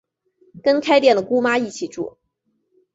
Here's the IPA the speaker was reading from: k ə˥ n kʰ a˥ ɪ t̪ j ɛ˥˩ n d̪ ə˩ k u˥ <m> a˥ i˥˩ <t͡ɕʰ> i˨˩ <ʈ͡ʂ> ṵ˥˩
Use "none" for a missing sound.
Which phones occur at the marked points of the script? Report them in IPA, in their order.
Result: m, t͡ɕʰ, ʈ͡ʂ

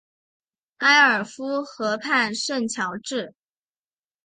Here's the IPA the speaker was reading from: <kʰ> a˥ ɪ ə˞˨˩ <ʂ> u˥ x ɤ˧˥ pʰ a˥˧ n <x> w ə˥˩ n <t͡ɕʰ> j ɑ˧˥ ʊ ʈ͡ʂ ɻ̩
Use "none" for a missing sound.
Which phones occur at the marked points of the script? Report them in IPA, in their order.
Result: k, f, ʂ, t͡ɕʰ

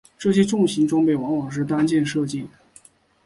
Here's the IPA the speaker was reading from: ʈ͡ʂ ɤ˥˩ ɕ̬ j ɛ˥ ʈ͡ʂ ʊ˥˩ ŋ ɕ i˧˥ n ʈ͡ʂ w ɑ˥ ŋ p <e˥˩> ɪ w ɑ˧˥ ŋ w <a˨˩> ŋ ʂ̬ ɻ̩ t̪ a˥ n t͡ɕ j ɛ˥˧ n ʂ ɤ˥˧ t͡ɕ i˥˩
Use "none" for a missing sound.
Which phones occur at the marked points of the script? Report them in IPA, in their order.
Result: e˥˩, ɑ˨˩

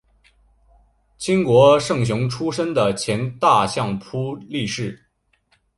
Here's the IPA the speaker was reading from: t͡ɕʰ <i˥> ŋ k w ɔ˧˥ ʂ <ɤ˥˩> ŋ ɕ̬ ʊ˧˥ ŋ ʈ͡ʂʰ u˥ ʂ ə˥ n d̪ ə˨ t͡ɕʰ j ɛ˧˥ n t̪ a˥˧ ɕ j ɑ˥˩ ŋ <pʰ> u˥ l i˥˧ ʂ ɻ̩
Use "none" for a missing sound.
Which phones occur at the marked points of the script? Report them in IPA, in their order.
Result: i˥, ɤ˥˩, pʰ

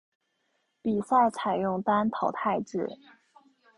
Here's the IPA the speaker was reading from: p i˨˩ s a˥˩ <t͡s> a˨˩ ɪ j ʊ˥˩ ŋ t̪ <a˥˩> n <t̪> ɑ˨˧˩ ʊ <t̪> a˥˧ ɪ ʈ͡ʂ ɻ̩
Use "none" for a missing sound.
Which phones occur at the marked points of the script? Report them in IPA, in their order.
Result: t͡sʰ, a˥, t̪ʰ, t̪ʰ

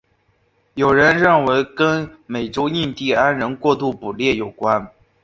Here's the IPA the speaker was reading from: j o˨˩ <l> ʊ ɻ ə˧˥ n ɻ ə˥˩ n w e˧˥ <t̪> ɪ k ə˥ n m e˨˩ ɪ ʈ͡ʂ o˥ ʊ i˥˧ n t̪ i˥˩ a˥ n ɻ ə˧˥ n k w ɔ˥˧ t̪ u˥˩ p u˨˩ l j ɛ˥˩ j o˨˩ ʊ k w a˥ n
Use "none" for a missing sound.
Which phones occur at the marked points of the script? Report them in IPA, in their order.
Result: none, none

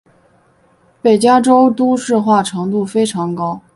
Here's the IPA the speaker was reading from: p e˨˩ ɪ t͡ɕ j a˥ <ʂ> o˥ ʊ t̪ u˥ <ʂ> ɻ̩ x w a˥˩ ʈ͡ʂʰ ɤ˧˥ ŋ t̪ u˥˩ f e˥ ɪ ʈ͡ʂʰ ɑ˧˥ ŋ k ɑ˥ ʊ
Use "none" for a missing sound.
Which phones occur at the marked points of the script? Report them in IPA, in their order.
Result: ʈ͡ʂ, ʂ

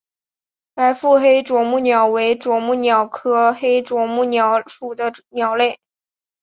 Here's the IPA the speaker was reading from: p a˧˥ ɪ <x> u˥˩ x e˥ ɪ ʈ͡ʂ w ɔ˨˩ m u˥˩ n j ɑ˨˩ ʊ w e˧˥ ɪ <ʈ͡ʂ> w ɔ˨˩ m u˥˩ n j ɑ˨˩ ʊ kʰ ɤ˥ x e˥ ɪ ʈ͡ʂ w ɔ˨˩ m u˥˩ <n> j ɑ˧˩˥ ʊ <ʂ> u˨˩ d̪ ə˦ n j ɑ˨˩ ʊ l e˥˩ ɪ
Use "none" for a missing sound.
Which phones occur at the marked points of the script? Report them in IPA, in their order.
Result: f, ʈ͡ʂ, n, ʂ

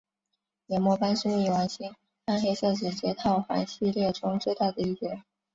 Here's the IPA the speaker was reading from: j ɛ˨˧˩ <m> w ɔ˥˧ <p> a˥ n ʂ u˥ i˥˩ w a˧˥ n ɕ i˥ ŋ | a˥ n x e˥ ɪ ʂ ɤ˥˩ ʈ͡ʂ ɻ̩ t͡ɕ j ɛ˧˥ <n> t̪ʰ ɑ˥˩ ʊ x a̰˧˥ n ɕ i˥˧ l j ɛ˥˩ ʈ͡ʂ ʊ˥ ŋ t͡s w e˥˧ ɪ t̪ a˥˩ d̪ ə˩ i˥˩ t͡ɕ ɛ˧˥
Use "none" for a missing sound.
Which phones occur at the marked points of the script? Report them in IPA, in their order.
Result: m, p, none

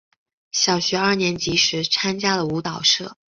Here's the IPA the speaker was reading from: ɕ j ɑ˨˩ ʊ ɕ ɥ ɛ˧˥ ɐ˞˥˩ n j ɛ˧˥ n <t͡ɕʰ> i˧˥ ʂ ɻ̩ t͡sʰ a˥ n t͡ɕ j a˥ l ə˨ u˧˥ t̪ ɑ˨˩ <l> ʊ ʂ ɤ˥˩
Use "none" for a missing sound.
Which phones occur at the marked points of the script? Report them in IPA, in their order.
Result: t͡ɕ, none

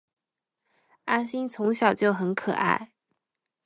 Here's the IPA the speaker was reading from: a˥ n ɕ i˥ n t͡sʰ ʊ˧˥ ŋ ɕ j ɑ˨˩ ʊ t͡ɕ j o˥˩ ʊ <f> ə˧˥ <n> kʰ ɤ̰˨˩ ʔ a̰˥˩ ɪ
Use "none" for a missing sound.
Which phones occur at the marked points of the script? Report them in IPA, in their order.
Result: x, n

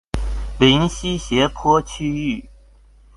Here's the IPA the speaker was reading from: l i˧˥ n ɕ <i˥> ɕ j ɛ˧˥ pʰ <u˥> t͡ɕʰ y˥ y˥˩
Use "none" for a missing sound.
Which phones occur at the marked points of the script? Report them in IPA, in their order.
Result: i˥, ɔ˥

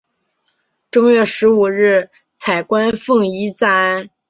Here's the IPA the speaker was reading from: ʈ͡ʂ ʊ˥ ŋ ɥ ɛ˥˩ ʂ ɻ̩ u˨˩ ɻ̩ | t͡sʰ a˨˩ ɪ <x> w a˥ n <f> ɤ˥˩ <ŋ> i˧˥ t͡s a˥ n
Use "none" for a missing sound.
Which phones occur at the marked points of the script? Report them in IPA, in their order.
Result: k, f, ŋ

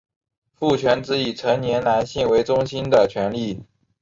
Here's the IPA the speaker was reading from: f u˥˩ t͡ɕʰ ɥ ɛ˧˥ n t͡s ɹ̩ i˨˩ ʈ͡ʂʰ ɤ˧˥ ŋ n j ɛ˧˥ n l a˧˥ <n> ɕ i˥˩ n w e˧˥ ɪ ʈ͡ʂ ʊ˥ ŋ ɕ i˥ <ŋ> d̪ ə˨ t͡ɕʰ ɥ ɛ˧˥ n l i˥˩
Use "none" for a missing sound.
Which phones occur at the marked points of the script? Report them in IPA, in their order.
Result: n, n

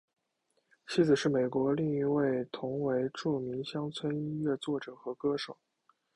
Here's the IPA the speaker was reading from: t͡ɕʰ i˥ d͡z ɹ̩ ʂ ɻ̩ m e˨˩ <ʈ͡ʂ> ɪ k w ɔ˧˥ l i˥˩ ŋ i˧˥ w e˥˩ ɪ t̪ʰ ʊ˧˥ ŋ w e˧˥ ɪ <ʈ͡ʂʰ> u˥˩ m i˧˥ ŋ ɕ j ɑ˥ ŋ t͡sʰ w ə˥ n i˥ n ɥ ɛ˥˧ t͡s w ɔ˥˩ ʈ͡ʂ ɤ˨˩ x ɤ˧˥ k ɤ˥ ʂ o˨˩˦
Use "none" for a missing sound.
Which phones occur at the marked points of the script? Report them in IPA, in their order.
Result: none, ʈ͡ʂ

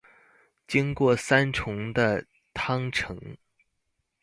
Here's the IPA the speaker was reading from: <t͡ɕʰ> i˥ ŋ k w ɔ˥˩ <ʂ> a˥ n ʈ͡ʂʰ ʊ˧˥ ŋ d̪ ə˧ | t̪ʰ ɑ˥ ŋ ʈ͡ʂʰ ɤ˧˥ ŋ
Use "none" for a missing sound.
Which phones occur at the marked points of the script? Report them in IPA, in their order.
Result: t͡ɕ, s

